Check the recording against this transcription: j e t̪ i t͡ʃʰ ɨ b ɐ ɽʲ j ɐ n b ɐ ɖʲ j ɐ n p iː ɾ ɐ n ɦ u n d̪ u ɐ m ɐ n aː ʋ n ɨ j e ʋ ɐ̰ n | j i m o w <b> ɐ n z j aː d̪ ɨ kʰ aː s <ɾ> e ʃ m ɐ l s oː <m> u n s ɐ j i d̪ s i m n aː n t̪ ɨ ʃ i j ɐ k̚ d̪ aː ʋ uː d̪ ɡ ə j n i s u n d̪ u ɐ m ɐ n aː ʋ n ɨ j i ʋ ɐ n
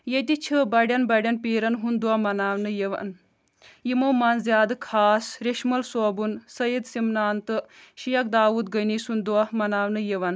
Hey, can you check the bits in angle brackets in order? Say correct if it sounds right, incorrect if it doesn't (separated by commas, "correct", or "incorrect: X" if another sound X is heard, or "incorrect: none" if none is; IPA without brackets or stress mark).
incorrect: m, correct, incorrect: b